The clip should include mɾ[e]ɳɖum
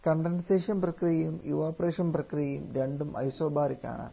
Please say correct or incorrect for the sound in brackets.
correct